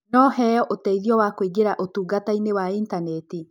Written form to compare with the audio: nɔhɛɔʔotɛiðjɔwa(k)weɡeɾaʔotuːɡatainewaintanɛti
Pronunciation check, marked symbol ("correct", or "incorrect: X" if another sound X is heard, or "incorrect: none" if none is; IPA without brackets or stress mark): correct